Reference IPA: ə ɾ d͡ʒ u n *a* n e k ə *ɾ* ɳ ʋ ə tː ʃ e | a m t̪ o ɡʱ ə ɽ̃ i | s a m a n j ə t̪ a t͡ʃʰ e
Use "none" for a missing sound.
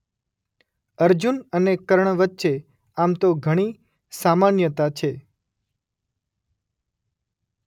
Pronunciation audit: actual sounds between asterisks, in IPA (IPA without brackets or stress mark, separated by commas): ə, ɾ